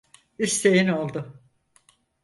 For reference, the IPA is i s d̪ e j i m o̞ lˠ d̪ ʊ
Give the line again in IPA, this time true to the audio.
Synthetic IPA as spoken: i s t̪ e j i n o̞ lˠ d̪ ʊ